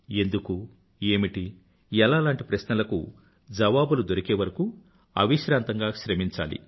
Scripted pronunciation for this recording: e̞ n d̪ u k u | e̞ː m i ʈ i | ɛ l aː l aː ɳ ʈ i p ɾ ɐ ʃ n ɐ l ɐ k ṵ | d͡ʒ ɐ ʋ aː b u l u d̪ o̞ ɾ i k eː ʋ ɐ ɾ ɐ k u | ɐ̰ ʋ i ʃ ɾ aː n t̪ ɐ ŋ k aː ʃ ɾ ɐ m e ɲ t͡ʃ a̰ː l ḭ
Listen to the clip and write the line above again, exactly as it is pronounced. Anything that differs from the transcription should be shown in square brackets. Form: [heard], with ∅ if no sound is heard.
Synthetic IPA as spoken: e̞ n d̪ u k u | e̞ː m i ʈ i | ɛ l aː l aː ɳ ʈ i p ɾ ɐ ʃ n ɐ l ɐ k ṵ | d͡ʒ ɐ ʋ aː b u l u d̪ o̞ ɾ i k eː ʋ ɐ ɾ ɐ k u | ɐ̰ ʋ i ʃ ɾ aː n t̪ ɐ ŋ [ɡ] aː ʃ ɾ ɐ m [i] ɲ t͡ʃ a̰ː l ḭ

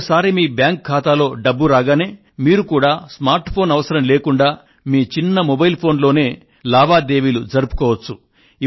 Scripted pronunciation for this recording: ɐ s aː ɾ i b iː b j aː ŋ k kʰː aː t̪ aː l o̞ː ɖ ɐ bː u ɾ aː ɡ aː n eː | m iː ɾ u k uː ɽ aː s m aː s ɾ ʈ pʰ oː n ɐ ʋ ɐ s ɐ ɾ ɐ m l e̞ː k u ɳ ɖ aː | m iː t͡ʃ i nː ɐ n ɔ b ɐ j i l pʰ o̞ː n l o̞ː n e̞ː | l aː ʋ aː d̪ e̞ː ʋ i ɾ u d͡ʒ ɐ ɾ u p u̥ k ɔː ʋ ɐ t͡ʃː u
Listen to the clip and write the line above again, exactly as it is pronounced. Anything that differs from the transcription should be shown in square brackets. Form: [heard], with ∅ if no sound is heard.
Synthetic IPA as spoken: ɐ s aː ɾ i [m] iː b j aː ŋ k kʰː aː t̪ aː l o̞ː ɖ ɐ bː u ɾ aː ɡ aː n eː | m iː ɾ u k uː ɽ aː s m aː [∅] ɾ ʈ pʰ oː n ɐ ʋ ɐ s ɐ ɾ ɐ m l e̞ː k u ɳ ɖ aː | m iː t͡ʃ i nː ɐ [m] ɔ b ɐ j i l pʰ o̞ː n l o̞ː n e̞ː | l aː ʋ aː d̪ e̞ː ʋ i [l] u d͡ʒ ɐ ɾ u p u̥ k ɔː ʋ ɐ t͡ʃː u

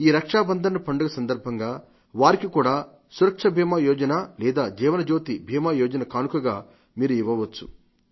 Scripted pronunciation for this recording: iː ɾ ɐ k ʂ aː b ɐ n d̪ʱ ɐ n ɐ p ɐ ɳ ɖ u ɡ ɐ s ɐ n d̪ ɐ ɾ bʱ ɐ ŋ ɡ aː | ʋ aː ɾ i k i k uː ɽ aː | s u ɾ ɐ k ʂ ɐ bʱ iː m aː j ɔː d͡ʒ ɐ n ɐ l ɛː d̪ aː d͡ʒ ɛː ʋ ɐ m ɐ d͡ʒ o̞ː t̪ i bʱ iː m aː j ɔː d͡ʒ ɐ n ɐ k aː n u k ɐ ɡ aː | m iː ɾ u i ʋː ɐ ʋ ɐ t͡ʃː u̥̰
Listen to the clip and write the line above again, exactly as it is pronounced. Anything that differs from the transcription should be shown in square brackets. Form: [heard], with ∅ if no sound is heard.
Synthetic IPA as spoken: iː ɾ ɐ k ʂ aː b ɐ n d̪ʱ ɐ n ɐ p ɐ ɳ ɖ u ɡ ɐ s ɐ n d̪ ɐ ɾ bʱ ɐ ŋ ɡ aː | ʋ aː ɾ i k i k uː ɽ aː | s u ɾ ɐ k ʂ ɐ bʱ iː m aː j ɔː d͡ʒ ɐ n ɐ l ɛː d̪ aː d͡ʒ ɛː ʋ ɐ [n] ɐ d͡ʒ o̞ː t̪ i bʱ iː m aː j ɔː d͡ʒ ɐ n ɐ k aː n u k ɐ ɡ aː | m iː ɾ u i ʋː ɐ ʋ ɐ t͡ʃː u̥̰

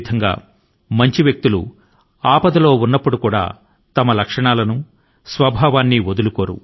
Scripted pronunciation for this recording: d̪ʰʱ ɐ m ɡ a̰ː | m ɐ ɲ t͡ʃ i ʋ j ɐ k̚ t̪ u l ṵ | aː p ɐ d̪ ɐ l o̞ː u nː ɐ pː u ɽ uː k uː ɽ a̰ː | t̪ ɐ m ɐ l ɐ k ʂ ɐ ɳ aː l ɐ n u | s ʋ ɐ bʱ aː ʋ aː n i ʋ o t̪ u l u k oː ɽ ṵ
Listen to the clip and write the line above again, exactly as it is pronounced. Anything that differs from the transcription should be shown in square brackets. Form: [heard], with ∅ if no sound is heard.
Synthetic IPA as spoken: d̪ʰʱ ɐ [ŋ] ɡ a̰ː | m ɐ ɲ t͡ʃ i ʋ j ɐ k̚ t̪ u l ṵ | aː p ɐ d̪ ɐ l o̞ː u nː ɐ pː u ɽ [u] k uː ɽ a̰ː | t̪ ɐ m ɐ l ɐ k ʂ ɐ ɳ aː l ɐ n u | s ʋ ɐ bʱ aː ʋ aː [nː] i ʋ o [d̪] u l u k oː [ɾ] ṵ

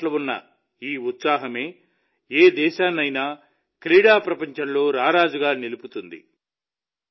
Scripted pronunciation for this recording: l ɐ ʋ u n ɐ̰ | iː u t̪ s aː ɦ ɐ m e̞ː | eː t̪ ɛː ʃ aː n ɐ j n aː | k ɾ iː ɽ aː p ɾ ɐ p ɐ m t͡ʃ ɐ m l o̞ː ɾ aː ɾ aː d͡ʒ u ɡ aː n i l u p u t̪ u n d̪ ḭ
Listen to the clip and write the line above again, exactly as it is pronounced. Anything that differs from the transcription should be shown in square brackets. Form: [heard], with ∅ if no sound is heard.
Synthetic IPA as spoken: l ɐ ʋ u [nː] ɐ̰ | iː u t̪ s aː ɦ ɐ m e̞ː | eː [d̪] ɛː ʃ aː n ɐ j n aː | k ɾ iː ɽ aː p ɾ ɐ p ɐ [ɲ] t͡ʃ ɐ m l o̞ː ɾ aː ɾ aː d͡ʒ u ɡ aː n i l u p u t̪ u n d̪ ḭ

